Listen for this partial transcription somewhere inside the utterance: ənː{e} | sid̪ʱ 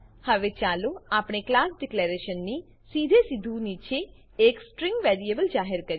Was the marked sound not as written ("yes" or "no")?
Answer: yes